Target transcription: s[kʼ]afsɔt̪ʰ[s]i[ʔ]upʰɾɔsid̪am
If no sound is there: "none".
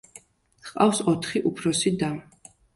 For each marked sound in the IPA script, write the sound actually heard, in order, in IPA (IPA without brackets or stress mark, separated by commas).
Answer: qʼ, χ, ʔ